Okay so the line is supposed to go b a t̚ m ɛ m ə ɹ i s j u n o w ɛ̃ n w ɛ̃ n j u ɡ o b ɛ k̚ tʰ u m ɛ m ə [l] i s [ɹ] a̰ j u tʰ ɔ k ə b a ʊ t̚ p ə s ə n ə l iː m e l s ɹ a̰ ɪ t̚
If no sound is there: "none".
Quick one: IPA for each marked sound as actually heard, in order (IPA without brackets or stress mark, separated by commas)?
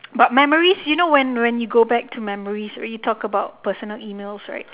ɹ, ɹ